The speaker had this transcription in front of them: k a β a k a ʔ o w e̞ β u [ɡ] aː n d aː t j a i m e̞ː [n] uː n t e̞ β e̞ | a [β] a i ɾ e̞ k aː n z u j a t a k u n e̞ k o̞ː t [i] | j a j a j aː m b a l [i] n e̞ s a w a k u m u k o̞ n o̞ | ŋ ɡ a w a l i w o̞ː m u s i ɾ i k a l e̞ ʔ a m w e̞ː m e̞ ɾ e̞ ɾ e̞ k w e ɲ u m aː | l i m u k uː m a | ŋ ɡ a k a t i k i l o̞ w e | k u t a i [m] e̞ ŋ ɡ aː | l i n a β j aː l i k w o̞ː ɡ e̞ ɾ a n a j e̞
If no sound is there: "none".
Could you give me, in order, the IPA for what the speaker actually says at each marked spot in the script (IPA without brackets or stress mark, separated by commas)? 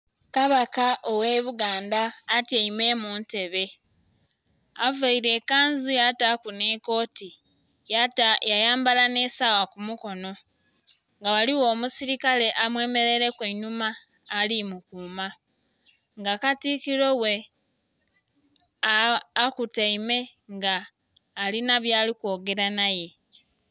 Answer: ɡ, m, v, i, a, m